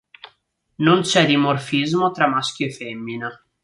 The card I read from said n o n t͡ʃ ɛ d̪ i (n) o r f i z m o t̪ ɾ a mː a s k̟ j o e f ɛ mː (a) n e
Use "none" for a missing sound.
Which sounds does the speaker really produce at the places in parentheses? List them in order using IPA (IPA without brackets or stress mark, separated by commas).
m, i